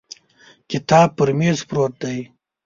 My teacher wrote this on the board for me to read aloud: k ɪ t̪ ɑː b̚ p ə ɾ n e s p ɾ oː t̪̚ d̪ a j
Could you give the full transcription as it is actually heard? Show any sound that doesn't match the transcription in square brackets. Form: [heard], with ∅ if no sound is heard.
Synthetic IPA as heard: k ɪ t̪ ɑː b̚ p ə ɾ [m] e [z] p ɾ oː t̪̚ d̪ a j